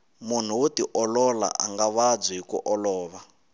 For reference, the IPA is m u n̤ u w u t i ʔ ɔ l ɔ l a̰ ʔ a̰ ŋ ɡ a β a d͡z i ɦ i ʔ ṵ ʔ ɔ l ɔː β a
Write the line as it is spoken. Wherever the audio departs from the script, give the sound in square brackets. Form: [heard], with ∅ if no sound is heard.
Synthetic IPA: m u n̤ u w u t i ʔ ɔ l ɔ l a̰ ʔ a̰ ŋ ɡ a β a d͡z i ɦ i [k] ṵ ʔ ɔ l ɔː β a